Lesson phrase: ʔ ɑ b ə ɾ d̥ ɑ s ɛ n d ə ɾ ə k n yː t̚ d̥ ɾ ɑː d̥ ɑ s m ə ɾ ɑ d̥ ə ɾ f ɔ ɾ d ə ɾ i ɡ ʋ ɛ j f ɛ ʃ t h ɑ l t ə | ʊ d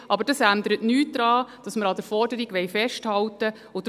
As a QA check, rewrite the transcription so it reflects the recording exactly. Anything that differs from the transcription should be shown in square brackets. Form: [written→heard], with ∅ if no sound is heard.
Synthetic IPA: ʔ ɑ b ə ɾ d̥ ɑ s [ɛ→æ] n d ə ɾ ə [k→t] n yː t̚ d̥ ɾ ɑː d̥ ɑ s m ə ɾ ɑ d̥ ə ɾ f ɔ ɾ d ə ɾ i ɡ ʋ ɛ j f ɛ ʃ t h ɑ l t ə | ʊ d